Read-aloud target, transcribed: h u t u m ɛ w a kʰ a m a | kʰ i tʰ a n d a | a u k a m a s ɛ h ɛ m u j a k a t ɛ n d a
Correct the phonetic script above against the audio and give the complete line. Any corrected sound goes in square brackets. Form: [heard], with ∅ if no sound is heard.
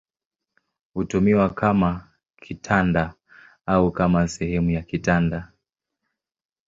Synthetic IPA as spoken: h u t u m [i] w a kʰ a m a | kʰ i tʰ a n d a | a u k a m a s ɛ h ɛ m u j a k [i] t [a] n d a